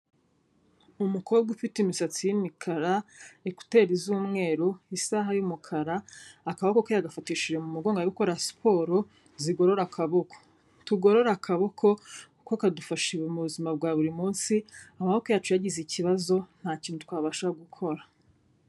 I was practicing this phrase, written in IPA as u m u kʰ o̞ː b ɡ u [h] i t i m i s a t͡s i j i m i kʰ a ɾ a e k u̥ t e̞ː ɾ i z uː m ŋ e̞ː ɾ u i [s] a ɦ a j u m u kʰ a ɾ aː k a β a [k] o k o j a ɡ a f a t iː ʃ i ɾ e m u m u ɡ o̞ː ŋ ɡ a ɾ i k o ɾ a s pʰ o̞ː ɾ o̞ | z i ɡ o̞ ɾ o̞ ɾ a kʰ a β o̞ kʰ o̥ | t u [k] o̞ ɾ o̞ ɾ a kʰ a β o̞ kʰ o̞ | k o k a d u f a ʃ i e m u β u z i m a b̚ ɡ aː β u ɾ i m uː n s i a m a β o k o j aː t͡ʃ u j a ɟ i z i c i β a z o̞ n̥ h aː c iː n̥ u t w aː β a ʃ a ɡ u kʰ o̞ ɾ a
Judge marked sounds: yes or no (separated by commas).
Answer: no, yes, yes, no